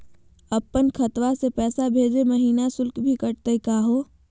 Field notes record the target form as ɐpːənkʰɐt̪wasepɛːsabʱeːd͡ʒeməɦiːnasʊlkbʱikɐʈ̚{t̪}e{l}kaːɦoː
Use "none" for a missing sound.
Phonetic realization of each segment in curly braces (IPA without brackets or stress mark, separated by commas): t̪, none